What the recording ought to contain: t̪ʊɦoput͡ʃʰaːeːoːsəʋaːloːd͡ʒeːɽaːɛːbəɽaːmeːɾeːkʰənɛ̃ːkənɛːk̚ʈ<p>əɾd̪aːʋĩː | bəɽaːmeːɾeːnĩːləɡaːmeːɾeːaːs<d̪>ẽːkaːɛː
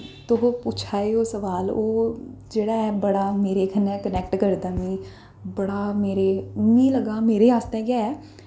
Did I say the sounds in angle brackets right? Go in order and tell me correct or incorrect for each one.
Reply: incorrect: k, incorrect: t̪

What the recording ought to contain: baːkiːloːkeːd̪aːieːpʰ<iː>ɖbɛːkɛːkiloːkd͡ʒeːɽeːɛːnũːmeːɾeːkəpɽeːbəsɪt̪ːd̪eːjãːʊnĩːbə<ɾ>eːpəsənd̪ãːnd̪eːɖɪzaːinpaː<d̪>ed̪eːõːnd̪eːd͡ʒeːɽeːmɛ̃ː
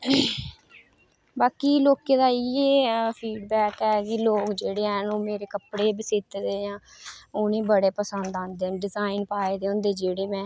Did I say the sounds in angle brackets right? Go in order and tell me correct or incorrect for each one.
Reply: correct, incorrect: ɽ, incorrect: none

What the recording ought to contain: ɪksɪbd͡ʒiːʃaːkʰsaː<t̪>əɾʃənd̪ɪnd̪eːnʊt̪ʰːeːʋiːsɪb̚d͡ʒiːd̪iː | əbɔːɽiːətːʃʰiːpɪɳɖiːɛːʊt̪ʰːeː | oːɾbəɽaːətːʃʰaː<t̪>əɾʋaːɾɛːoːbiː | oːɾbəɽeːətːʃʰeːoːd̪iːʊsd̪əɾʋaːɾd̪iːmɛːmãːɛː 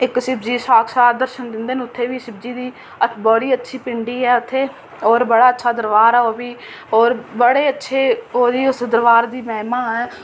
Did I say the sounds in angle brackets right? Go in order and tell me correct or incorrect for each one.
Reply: incorrect: d̪, incorrect: d̪

